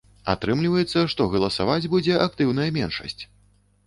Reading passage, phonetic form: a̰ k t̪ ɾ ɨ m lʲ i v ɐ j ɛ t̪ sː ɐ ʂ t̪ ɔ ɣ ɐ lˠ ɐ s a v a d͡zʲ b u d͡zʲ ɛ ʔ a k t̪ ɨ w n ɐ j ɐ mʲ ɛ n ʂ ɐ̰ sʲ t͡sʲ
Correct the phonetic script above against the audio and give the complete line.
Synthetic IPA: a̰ t̪ ɾ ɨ m lʲ i v ɐ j ɛ t̪ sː ɐ ʂ t̪ ɔ ɣ ɐ lˠ ɐ s a v a d͡zʲ b u d͡zʲ ɛ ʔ a k t̪ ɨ w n ɐ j ɐ mʲ ɛ n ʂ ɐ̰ sʲ t͡sʲ

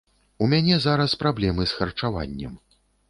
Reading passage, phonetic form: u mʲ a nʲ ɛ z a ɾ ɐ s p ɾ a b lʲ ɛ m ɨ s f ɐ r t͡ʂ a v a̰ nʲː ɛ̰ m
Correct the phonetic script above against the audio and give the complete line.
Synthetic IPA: u mʲ a nʲ ɛ z a ɾ ɐ s p ɾ a b lʲ ɛ m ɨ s x ɐ r t͡ʂ a v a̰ nʲː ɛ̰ m

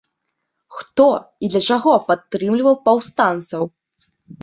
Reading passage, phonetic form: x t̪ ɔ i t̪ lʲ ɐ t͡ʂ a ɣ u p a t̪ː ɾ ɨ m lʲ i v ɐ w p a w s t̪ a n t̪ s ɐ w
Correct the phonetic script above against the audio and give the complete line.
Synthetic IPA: x t̪ ɔ i d̪ lʲ ɐ t͡ʂ a ɣ ɔ p a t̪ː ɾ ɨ m lʲ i v ɐ w p a w s t̪ a n t̪ s ɐ w

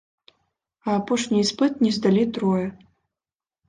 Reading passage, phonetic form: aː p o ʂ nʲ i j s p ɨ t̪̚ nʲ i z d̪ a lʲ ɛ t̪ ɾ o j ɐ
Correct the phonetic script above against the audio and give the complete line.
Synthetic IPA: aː p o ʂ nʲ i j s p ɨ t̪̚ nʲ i z d̪ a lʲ i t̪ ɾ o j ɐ

